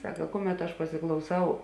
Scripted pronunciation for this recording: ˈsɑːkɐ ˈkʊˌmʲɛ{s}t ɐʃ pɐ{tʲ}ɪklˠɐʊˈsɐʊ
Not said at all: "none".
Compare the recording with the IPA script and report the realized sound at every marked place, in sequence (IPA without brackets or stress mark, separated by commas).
none, sʲ